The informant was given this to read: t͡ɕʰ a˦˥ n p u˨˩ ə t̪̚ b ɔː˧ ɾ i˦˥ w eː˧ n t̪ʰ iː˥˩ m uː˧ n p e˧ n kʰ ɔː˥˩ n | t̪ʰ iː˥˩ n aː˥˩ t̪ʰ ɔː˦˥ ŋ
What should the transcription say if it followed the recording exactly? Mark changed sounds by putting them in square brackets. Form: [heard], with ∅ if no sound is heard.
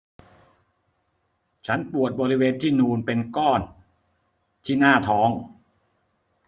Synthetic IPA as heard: t͡ɕʰ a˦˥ n p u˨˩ ə t̪̚ b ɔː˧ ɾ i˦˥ w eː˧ n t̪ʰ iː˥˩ [n] uː˧ n p e˧ n [k] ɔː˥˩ n | t̪ʰ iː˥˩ n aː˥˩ t̪ʰ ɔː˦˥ ŋ